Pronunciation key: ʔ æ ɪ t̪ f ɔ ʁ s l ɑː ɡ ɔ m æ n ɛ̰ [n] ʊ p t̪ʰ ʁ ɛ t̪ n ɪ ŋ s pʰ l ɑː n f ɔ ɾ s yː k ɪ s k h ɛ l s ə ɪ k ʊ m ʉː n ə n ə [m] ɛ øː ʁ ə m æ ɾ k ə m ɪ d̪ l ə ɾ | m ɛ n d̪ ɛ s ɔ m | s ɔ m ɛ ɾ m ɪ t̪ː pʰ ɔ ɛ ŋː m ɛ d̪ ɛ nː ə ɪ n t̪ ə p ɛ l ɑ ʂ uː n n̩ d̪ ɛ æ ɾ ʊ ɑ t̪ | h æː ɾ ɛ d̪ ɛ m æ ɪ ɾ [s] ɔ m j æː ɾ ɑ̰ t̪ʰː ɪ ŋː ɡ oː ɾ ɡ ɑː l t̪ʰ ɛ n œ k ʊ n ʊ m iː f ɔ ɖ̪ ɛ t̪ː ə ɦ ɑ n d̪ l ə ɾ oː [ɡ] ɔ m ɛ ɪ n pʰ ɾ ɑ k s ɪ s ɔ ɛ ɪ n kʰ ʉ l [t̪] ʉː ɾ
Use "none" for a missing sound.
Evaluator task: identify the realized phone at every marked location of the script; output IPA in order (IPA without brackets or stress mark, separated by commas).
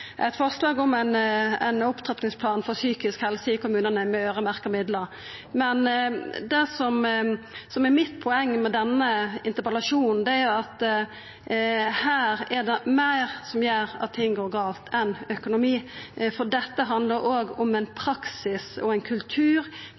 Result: n, m, s, ɡ, t̪ʰ